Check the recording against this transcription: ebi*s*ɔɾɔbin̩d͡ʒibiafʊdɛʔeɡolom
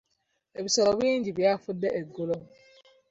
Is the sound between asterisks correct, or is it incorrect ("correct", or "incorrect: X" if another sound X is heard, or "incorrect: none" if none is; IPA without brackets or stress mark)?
correct